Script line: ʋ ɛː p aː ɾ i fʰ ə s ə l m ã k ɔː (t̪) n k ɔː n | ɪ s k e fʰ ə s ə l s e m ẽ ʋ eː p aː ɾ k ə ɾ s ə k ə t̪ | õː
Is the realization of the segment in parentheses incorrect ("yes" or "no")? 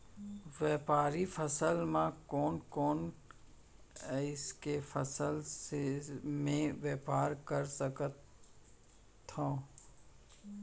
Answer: yes